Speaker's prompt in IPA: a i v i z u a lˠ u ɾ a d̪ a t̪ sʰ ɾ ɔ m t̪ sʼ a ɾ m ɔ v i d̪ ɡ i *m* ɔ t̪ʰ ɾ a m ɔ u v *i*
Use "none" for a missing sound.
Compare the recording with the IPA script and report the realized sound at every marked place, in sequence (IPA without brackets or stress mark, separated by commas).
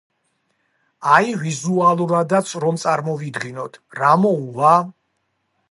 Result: n, a